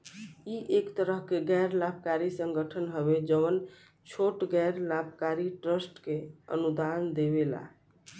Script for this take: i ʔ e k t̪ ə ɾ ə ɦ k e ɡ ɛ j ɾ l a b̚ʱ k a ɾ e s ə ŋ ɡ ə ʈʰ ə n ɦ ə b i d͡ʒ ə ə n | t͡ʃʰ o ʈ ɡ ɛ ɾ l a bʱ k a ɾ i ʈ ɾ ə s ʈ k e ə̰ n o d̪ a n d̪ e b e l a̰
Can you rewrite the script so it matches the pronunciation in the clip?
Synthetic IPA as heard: i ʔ e k t̪ ə ɾ ə ɦ k e ɡ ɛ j ɾ l a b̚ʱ k a ɾ i s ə ŋ ɡ ə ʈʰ ə n ɦ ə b e d͡ʒ ə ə n | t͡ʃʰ o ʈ ɡ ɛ ɾ l a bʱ k a ɾ i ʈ ɾ ə s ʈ k e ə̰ n u d̪ a n d̪ e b e l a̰